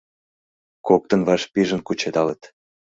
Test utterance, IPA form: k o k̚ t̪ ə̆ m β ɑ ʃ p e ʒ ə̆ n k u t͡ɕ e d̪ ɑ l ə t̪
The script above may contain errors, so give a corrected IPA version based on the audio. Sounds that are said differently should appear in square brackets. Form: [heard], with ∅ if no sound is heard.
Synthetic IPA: k o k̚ t̪ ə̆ [n] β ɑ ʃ p [i] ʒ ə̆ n k u t͡ɕ e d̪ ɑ l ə t̪